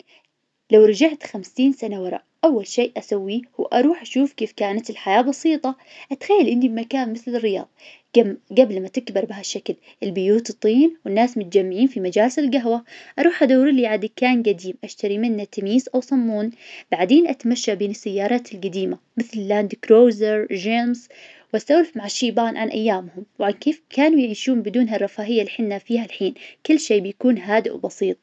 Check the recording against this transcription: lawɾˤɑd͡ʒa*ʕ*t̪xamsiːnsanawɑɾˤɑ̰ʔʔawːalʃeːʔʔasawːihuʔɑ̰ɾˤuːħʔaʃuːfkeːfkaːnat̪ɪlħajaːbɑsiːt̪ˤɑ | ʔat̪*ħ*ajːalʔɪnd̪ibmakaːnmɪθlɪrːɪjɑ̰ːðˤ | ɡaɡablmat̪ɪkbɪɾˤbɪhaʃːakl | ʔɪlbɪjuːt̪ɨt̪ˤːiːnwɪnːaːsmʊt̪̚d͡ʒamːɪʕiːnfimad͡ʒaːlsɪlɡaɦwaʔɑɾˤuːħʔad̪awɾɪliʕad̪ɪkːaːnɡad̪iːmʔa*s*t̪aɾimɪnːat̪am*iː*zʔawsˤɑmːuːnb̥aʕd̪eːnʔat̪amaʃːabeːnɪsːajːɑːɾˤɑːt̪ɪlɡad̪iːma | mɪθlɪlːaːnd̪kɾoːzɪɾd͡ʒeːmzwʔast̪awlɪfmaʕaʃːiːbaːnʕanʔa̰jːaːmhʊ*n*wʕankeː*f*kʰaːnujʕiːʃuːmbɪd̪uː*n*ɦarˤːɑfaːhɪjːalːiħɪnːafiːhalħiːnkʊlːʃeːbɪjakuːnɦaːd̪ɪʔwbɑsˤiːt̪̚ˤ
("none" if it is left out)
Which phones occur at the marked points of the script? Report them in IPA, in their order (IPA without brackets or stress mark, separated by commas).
ʕ, x, ʃ, iː, m, f, n